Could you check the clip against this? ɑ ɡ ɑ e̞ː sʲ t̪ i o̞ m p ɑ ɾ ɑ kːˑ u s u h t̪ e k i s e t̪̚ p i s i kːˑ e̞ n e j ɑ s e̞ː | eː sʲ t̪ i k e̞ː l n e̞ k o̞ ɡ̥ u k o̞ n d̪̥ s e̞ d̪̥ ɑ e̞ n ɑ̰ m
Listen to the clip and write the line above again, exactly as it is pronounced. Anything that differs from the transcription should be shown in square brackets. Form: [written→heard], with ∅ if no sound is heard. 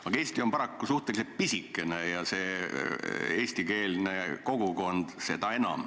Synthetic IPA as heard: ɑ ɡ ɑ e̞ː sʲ t̪ i o̞ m p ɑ ɾ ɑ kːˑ u s u h t̪ e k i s e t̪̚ p i s i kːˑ e̞ n e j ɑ s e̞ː | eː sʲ t̪ i k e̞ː l n e̞ k o̞ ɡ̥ u k o̞ n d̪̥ s e̞ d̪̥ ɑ e̞ n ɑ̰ m

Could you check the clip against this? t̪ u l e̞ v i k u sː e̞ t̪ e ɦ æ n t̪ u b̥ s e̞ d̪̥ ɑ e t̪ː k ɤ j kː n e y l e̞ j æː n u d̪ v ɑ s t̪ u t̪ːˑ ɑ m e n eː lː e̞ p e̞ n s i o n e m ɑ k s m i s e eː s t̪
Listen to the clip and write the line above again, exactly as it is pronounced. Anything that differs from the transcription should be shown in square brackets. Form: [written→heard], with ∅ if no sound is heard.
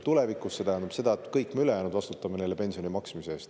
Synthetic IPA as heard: t̪ u l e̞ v i k u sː e̞ t̪ [e→æ] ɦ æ n [t̪→d̪] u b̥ s e̞ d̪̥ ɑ e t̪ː k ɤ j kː [n→m] e y l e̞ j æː n u d̪ v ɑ s t̪ u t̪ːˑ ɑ m e n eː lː e̞ p e̞ n s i o n [e→i] m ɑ k s m i s e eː s t̪

